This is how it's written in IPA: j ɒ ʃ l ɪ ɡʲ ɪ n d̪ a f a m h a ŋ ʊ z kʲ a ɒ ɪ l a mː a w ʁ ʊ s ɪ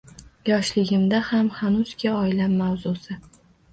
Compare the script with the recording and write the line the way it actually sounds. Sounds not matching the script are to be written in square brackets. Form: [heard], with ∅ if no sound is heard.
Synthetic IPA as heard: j ɒ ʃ l ɪ ɡʲ ɪ [m] d̪ a [h] a m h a [n] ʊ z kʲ a ɒ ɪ l a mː a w [z] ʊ s ɪ